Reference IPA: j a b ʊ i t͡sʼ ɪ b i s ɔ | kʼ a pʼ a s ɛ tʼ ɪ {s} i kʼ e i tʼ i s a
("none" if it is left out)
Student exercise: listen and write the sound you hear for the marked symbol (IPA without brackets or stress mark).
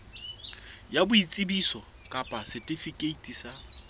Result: f